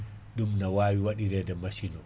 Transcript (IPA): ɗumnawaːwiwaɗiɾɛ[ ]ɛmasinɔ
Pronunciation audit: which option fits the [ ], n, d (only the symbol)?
d